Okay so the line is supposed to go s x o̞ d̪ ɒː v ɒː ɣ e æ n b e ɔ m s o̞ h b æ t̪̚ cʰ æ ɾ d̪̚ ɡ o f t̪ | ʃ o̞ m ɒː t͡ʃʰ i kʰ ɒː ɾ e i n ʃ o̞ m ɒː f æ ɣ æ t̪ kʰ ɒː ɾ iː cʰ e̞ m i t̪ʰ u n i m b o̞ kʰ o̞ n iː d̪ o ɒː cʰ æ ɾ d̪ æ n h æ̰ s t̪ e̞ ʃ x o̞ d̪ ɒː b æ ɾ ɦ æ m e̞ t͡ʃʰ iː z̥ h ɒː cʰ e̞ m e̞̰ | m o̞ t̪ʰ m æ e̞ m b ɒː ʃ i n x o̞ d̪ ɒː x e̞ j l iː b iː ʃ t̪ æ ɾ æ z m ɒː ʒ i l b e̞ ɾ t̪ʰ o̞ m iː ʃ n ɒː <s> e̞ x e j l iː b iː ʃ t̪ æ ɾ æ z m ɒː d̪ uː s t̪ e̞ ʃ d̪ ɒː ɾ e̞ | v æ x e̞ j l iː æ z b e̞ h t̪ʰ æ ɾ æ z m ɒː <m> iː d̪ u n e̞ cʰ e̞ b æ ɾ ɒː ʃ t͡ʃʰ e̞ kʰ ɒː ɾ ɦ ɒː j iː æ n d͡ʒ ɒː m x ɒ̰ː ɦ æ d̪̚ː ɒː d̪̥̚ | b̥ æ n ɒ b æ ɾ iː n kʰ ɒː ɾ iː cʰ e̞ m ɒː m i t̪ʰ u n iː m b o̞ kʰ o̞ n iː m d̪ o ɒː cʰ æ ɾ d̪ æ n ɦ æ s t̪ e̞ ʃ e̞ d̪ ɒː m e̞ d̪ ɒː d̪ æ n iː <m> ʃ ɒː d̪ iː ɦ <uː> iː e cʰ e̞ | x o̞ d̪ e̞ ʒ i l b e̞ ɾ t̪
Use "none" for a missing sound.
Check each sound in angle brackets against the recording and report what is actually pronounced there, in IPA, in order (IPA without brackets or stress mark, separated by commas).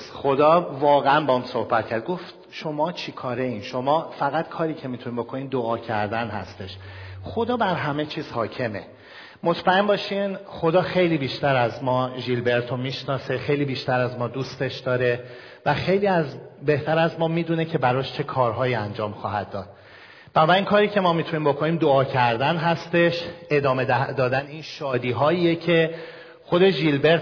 s, m, n, ɒː